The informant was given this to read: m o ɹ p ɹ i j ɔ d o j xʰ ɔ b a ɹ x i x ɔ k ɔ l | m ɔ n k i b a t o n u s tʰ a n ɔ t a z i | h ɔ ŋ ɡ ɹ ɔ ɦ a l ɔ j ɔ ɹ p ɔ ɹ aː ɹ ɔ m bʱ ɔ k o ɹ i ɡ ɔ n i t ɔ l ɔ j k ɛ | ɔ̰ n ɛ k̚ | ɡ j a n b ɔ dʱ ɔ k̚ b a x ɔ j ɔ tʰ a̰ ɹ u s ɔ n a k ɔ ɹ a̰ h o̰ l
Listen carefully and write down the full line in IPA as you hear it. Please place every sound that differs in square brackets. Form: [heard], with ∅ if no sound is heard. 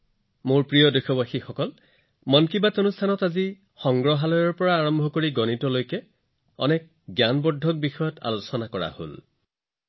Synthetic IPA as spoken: m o ɹ p ɹ i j ɔ d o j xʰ ɔ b a [∅] x i x ɔ k ɔ l | m ɔ n k i b a t o n u s tʰ a n ɔ t a z i | [x] ɔ ŋ ɡ ɹ ɔ ɦ a l ɔ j ɔ ɹ p ɔ ɹ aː ɹ ɔ m bʱ ɔ k o ɹ i ɡ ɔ n i t ɔ l [o] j k ɛ | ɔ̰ n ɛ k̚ | ɡ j a n b ɔ dʱ ɔ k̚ b [i] x ɔ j ɔ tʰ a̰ [l] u s ɔ n a k ɔ ɹ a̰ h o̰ l